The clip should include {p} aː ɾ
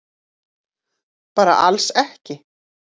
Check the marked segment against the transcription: correct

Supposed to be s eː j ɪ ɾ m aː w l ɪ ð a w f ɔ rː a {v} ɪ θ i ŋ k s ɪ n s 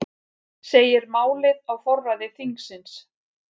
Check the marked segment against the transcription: incorrect: ð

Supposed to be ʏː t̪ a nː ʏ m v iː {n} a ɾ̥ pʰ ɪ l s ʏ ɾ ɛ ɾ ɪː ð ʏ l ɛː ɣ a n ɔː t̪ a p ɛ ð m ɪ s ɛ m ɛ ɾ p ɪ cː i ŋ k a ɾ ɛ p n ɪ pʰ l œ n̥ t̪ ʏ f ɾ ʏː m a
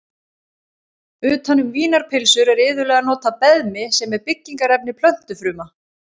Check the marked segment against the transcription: correct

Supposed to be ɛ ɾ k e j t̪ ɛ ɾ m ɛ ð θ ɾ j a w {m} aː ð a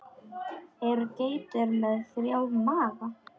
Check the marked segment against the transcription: correct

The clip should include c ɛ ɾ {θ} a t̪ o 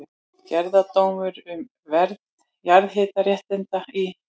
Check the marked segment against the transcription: incorrect: ð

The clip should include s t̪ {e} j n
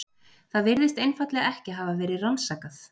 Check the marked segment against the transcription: correct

